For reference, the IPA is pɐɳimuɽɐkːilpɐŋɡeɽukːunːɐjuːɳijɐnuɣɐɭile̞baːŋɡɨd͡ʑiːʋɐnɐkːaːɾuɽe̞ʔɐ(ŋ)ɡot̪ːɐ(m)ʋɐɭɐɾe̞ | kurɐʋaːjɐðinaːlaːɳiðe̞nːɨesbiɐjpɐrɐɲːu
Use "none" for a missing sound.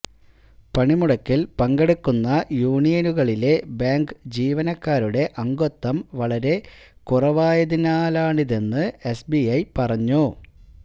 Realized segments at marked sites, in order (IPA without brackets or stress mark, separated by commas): ŋ, m